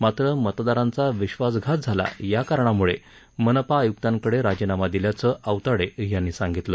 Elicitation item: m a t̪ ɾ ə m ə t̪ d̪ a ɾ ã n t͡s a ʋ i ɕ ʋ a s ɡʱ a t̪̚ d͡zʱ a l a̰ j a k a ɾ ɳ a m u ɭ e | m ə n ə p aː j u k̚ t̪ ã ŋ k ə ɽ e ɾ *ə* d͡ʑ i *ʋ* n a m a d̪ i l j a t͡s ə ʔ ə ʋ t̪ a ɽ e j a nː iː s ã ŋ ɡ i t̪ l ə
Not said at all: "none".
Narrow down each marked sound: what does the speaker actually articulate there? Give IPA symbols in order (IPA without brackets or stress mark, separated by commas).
a, none